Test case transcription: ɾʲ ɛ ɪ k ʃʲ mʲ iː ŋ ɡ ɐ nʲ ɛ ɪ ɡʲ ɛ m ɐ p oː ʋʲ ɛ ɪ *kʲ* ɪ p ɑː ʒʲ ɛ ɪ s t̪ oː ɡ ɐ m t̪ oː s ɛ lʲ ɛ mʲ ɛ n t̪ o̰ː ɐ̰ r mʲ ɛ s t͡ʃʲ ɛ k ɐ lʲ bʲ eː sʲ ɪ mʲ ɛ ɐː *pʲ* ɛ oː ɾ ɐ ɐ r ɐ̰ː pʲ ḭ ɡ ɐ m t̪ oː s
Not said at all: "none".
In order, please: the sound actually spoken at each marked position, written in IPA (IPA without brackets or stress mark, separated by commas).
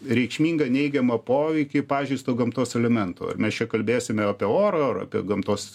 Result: kʲ, pʲ